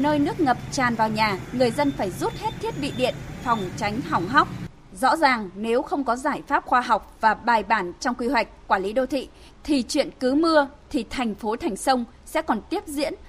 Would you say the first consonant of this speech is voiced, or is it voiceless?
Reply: voiced